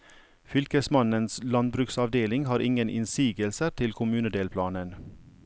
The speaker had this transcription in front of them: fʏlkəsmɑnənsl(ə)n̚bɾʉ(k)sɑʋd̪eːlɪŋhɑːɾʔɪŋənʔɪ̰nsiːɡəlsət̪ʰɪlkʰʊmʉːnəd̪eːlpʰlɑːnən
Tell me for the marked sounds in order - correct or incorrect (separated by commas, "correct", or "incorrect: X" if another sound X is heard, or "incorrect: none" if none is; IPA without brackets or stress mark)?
incorrect: ɑ, correct